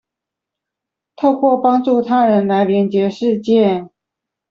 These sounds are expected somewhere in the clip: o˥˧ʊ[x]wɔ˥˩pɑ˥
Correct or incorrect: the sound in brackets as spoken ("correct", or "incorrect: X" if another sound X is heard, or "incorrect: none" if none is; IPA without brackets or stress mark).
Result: incorrect: k